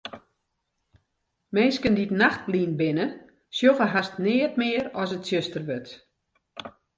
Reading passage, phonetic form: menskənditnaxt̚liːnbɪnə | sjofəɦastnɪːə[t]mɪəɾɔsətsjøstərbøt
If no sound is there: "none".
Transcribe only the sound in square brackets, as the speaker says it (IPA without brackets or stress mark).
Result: t